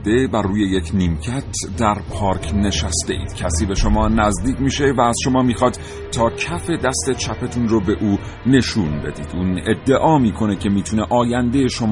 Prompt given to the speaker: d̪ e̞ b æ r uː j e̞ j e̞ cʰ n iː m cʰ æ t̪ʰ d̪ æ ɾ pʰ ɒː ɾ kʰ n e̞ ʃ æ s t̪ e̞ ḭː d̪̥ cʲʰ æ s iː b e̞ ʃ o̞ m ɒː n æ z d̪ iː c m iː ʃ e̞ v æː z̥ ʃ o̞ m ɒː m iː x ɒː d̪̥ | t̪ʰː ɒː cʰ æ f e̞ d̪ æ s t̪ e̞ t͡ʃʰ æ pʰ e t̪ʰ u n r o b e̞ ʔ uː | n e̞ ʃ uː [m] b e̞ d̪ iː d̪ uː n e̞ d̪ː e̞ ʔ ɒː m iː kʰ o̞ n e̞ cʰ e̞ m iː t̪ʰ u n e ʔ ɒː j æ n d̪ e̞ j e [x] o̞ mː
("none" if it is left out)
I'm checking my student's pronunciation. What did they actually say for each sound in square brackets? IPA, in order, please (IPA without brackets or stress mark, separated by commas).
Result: n, ʃ